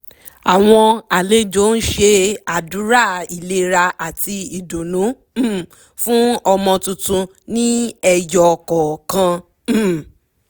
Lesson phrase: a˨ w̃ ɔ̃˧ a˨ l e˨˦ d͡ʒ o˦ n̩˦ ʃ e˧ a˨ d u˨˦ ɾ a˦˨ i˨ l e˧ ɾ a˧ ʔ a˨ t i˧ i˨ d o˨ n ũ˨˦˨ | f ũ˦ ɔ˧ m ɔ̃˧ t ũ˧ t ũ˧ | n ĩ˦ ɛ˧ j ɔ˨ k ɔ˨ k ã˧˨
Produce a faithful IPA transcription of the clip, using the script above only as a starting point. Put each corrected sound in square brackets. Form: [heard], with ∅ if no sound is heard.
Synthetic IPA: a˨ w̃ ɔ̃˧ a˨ l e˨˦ d͡ʒ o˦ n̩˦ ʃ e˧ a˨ d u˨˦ ɾ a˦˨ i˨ l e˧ ɾ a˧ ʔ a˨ t i˧ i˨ d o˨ n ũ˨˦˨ | f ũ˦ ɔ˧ m ɔ̃˧ t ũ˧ t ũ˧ | n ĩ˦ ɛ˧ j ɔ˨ k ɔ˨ k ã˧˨